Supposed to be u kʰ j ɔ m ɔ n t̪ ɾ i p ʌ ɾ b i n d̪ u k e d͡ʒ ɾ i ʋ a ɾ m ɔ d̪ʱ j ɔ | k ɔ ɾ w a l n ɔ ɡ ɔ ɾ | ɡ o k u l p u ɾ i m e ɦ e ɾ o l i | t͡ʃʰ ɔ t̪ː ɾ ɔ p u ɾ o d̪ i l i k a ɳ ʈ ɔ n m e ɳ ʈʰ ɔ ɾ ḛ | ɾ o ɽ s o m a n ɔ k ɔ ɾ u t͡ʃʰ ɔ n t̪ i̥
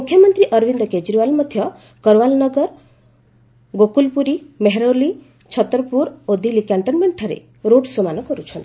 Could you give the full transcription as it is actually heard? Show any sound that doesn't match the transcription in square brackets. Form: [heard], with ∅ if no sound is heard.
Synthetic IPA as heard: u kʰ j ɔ m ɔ n t̪ ɾ i [ʔ] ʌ ɾ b i n d̪ [ɔ] k e d͡ʒ ɾ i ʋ a [l] m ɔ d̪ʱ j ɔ | k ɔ ɾ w a l n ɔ ɡ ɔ ɾ | ɡ o k u l p u ɾ i m e ɦ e ɾ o l i | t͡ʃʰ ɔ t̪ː ɾ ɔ p u ɾ o d̪ i l i k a ɳ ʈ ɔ n m e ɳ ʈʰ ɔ ɾ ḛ | ɾ o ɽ s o m a n ɔ k ɔ ɾ u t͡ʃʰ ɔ n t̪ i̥